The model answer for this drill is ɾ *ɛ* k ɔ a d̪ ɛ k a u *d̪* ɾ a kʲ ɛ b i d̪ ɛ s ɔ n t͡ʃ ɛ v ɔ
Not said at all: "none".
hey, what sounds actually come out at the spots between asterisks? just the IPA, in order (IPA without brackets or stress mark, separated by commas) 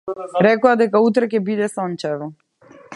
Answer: ɛ, t̪